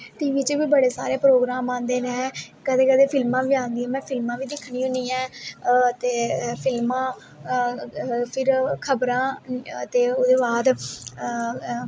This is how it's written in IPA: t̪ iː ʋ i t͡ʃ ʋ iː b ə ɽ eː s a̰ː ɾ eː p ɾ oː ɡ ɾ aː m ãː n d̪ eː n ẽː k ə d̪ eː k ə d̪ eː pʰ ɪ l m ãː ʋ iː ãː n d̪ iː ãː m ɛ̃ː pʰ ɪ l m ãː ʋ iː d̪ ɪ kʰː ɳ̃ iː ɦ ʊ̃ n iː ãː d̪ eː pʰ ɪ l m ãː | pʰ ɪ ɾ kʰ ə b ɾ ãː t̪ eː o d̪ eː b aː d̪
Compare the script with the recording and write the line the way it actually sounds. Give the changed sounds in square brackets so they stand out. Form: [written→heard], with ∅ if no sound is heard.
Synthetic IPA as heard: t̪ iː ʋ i t͡ʃ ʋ iː b ə ɽ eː s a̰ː ɾ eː p ɾ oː ɡ ɾ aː m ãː n d̪ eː n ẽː k ə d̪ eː k ə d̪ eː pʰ ɪ l m ãː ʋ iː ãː n d̪ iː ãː m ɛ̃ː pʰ ɪ l m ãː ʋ iː d̪ ɪ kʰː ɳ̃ iː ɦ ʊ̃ n iː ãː [d̪→t̪] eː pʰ ɪ l m ãː | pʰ ɪ ɾ kʰ ə b ɾ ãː t̪ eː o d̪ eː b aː d̪